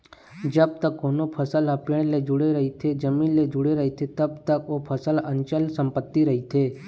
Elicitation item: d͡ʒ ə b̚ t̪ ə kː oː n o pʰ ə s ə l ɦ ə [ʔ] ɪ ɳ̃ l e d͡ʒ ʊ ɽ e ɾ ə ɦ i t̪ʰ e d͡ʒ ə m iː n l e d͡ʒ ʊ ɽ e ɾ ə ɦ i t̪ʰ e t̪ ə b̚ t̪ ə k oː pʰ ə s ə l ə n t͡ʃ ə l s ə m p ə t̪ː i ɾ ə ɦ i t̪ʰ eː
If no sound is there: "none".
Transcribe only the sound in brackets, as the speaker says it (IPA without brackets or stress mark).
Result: p